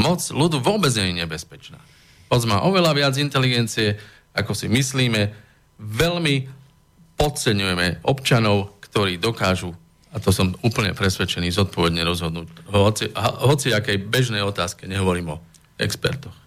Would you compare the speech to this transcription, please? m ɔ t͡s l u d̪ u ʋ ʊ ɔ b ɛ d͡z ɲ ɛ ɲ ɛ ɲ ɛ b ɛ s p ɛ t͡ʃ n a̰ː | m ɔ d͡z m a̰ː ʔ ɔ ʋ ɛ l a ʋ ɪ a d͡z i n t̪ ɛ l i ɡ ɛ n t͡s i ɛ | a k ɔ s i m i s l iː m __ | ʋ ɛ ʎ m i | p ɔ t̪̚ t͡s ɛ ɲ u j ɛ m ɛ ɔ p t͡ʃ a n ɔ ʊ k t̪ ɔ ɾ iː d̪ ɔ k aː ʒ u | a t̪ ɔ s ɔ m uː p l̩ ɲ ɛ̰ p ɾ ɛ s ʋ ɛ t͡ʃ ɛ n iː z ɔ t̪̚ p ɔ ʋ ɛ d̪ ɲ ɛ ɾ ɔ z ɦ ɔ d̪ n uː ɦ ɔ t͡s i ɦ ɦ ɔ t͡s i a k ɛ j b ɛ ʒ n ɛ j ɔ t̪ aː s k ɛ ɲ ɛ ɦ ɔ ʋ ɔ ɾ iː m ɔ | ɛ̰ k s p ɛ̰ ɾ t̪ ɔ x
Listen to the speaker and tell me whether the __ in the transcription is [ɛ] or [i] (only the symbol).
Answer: ɛ